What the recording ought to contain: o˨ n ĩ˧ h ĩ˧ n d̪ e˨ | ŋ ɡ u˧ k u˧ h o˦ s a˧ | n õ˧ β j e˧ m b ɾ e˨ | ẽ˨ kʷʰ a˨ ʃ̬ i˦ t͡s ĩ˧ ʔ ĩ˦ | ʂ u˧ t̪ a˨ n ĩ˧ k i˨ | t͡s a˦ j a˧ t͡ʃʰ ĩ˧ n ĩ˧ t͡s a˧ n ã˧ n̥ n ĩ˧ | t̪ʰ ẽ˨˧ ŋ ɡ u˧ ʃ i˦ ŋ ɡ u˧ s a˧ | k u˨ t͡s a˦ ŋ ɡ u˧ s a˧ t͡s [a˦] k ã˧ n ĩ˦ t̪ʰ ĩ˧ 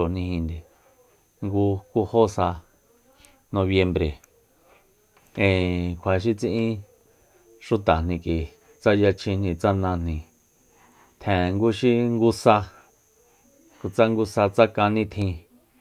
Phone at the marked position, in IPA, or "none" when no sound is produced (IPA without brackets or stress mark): a˦